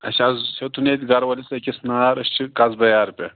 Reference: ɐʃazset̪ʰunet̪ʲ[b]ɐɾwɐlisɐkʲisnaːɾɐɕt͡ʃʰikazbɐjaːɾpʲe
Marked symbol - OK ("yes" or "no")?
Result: no